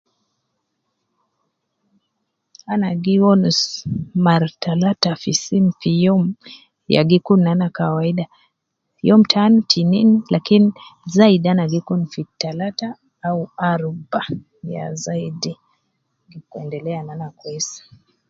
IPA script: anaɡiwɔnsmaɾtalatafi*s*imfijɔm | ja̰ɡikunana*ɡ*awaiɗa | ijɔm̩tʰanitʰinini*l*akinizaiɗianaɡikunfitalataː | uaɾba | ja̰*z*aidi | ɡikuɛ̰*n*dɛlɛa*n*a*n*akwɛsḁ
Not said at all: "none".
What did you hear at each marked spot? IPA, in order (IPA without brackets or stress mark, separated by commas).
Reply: s, k, l, z, n, n, n